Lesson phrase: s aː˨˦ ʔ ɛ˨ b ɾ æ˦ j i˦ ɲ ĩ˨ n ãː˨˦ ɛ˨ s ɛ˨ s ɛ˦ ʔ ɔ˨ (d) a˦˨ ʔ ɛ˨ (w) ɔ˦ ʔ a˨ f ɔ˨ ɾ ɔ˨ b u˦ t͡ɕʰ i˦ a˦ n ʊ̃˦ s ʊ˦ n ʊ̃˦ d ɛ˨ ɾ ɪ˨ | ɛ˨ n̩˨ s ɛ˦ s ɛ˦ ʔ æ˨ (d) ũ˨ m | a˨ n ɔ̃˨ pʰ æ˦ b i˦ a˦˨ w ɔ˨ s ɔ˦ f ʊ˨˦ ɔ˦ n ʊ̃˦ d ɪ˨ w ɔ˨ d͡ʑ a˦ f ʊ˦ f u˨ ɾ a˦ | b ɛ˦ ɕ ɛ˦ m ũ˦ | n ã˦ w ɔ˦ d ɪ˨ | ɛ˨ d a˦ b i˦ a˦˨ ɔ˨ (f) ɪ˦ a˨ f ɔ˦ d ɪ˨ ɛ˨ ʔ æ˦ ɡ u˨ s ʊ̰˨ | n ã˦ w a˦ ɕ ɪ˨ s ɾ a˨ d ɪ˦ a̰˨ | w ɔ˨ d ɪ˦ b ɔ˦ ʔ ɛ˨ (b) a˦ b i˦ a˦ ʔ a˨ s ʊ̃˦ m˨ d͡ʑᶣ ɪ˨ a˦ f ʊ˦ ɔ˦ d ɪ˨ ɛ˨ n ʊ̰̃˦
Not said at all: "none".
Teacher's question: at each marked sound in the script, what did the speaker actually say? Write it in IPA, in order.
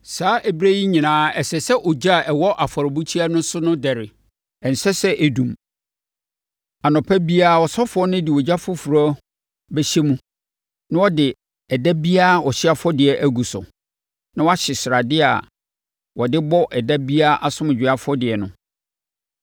d͡ʑ, w, d, ɕ, d

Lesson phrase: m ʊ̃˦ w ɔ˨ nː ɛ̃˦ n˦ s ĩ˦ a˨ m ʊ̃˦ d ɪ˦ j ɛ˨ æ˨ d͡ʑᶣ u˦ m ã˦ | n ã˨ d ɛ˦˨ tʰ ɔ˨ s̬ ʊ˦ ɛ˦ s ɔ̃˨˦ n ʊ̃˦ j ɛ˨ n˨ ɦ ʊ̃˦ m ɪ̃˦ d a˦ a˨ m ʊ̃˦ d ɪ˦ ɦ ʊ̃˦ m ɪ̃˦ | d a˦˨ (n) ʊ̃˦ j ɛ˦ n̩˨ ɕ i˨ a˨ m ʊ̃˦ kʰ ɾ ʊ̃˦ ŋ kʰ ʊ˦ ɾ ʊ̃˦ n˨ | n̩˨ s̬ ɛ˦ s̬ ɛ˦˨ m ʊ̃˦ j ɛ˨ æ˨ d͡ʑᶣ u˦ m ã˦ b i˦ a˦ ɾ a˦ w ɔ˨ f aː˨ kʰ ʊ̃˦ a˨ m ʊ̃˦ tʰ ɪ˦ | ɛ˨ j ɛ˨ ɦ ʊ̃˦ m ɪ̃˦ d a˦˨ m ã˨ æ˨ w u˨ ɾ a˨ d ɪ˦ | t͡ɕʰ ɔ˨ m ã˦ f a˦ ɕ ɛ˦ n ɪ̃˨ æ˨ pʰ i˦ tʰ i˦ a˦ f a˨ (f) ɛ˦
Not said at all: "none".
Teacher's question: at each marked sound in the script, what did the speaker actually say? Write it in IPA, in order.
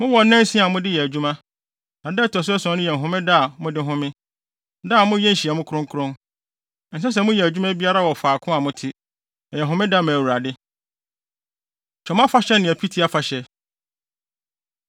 m, ɕ

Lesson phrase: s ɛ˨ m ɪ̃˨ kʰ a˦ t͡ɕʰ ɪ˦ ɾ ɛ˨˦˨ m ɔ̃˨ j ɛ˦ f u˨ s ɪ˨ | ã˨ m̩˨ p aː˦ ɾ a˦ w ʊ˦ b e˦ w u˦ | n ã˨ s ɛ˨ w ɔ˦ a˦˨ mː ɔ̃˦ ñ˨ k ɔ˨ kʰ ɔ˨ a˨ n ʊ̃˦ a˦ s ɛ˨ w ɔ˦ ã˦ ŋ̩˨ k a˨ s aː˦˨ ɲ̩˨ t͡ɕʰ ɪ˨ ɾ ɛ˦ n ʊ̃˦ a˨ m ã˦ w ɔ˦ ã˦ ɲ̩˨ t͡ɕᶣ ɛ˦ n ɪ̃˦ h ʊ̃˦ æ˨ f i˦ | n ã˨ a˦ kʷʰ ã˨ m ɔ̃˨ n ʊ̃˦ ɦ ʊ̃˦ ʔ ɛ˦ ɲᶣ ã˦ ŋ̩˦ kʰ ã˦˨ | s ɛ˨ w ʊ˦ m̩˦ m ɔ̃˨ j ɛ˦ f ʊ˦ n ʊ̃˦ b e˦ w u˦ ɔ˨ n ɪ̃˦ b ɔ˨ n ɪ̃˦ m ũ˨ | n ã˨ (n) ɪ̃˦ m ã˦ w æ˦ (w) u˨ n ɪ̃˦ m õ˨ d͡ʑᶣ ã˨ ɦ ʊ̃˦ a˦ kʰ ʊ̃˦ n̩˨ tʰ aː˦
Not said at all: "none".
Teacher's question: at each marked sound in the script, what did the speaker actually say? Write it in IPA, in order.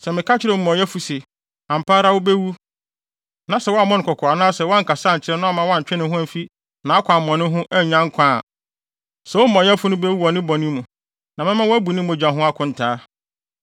m, b

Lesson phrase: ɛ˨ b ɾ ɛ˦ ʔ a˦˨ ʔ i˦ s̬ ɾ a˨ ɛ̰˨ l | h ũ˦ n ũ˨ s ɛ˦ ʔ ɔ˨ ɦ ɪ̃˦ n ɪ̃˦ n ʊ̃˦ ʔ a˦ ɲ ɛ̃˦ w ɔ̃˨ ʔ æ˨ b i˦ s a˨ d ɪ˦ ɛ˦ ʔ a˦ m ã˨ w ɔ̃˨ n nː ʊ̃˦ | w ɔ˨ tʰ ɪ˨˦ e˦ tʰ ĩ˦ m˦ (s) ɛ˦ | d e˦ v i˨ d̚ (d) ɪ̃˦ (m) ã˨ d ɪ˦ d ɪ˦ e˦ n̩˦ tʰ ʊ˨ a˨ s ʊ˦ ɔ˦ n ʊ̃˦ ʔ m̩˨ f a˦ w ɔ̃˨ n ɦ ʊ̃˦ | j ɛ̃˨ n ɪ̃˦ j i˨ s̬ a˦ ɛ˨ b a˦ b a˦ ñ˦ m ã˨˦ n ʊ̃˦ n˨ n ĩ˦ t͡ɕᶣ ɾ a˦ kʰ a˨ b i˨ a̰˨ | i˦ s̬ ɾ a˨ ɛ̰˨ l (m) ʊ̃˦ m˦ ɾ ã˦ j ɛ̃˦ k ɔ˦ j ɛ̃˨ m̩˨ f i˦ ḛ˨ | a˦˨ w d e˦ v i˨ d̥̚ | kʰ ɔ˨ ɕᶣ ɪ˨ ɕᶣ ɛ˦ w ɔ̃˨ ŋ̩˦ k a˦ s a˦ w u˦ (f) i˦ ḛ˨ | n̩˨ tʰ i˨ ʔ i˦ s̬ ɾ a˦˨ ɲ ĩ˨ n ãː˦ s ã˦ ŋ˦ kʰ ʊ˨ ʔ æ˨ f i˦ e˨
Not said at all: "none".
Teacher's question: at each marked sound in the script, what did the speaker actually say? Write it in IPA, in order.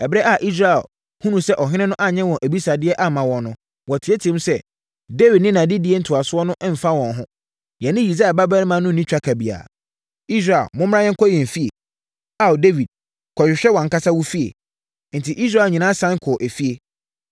s, n, n, m, f

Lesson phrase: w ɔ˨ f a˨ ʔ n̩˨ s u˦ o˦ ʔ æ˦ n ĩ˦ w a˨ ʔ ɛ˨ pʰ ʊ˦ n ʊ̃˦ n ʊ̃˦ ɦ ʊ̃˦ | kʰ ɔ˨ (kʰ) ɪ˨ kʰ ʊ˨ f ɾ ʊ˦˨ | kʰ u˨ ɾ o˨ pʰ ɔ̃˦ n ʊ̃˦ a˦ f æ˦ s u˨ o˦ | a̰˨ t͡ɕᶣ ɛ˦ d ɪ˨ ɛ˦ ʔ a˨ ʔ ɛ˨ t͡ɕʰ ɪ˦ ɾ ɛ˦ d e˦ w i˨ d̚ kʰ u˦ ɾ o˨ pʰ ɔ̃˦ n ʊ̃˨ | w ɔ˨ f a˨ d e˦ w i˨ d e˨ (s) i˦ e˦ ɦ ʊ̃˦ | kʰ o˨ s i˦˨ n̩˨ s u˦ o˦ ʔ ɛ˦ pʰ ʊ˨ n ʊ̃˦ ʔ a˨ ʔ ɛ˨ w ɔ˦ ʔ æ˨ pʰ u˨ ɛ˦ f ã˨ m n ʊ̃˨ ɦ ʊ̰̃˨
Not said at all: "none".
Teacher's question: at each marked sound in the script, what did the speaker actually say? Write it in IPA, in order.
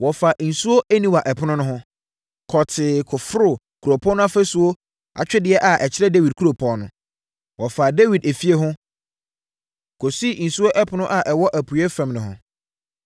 tʰ, f

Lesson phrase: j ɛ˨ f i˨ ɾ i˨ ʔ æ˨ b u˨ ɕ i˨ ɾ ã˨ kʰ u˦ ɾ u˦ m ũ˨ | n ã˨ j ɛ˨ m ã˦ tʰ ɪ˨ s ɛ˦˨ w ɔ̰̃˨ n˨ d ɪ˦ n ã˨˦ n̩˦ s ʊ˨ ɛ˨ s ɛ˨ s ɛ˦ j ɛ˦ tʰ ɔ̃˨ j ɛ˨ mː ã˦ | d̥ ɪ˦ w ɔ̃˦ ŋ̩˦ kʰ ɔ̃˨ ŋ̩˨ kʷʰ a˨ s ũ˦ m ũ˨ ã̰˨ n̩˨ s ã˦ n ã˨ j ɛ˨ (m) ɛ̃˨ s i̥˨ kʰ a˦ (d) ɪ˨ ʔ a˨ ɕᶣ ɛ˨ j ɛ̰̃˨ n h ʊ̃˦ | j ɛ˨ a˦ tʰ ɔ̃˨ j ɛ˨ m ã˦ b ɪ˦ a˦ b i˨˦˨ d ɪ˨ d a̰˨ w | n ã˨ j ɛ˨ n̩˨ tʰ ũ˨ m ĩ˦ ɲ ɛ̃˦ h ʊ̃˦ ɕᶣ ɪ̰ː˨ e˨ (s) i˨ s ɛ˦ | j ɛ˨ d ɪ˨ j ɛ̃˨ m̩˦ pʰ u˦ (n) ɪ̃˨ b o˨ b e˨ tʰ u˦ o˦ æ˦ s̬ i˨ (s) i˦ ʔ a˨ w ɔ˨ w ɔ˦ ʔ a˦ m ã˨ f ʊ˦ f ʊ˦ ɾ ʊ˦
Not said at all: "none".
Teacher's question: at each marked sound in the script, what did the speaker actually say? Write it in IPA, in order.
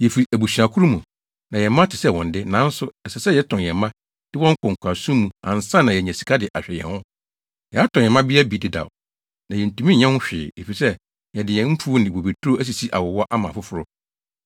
ɲ, d, f, n, s

